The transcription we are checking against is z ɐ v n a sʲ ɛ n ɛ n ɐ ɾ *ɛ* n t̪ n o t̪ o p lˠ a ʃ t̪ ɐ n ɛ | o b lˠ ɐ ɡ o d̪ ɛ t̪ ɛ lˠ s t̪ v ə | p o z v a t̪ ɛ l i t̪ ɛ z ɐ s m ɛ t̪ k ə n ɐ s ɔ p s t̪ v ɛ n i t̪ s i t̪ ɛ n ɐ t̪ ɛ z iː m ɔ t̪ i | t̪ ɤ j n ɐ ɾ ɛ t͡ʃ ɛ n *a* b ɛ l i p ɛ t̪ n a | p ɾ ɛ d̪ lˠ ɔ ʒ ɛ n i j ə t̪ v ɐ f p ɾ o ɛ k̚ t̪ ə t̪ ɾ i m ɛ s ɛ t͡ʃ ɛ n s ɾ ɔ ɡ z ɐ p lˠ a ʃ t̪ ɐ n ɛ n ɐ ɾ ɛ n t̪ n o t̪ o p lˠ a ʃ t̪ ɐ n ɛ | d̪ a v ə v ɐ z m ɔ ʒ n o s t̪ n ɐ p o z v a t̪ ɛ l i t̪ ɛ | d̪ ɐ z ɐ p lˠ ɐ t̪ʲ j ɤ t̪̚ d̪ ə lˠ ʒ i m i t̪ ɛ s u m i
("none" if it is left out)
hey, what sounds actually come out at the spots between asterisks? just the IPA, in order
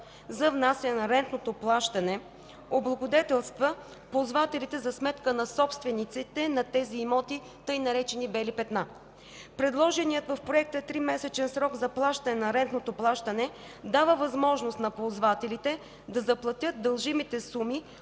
ɛ, i

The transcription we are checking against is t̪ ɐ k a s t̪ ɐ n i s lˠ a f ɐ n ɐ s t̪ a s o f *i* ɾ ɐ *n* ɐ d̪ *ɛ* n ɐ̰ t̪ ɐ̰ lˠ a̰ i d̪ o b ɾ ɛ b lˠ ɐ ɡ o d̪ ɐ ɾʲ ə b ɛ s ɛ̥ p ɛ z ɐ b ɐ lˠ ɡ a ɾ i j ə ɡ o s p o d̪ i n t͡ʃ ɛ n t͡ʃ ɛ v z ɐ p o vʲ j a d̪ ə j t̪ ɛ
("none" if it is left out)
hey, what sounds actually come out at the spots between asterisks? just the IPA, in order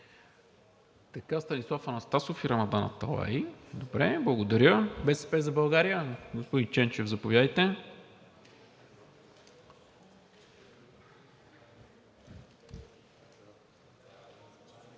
i, m, a

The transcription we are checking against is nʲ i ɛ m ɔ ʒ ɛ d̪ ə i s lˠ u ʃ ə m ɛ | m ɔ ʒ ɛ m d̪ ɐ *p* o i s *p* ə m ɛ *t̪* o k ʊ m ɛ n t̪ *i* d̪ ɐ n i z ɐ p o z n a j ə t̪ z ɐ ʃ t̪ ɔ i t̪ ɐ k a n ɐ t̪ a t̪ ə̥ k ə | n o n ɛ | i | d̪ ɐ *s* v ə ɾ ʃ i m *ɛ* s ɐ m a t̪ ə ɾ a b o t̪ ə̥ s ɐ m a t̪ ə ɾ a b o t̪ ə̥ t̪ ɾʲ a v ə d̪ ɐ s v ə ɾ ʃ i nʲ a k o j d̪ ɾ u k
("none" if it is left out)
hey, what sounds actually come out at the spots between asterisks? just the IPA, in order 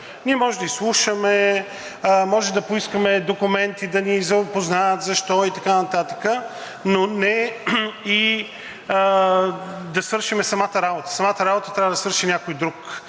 p, k, d̪, i, s, ɛ

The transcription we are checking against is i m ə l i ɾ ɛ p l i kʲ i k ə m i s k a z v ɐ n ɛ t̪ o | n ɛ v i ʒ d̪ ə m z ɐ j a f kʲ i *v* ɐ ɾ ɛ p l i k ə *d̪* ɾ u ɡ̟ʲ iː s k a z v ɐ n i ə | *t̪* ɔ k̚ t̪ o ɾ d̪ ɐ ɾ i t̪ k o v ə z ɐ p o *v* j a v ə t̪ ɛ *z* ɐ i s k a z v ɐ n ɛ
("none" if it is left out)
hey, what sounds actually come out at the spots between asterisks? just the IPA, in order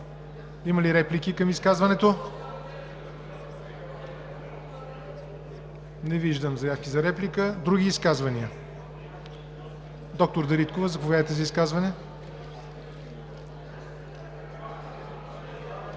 z, d̪, d̪, v, z

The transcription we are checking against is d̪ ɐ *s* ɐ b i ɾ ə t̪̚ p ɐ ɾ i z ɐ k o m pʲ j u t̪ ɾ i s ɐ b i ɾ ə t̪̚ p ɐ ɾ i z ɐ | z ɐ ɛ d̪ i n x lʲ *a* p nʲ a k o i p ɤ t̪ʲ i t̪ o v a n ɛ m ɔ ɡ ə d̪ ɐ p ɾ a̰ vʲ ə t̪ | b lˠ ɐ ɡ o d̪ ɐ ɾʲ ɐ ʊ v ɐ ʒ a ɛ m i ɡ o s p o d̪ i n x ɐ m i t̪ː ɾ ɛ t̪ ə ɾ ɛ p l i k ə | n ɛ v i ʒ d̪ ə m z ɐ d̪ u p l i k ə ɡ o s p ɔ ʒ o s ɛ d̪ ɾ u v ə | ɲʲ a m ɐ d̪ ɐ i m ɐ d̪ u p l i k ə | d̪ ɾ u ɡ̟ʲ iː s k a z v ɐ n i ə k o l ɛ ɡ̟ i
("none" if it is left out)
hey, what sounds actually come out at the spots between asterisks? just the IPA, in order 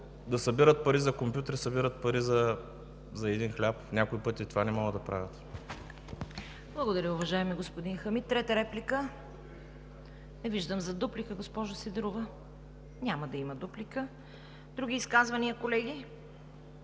s, a

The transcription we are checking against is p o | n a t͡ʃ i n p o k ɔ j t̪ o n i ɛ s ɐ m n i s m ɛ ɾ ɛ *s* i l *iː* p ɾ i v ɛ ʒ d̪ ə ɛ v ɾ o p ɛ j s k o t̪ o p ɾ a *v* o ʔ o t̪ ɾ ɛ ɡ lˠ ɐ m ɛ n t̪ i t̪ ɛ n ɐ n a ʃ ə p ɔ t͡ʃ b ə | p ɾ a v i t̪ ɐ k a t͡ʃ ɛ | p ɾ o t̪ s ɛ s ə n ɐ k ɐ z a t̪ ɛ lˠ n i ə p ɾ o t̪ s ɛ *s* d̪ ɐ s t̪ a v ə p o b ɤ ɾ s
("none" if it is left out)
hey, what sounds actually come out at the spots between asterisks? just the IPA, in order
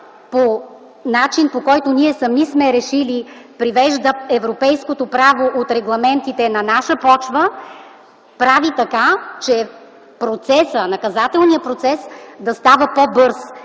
ʃ, i, v, s

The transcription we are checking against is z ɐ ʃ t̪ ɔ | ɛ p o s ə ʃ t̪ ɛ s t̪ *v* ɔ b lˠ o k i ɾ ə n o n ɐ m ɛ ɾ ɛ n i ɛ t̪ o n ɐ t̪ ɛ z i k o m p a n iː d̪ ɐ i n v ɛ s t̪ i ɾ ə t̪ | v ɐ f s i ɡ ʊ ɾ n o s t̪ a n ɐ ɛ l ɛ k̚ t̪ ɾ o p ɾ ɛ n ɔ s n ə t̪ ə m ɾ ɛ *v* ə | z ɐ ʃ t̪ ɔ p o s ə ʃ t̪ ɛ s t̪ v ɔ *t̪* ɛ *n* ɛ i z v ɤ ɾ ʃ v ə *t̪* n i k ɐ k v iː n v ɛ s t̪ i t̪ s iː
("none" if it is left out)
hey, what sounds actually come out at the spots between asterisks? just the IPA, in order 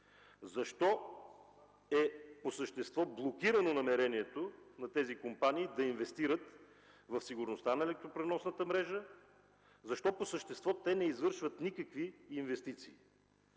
v, ʒ, t̪, n, t̪

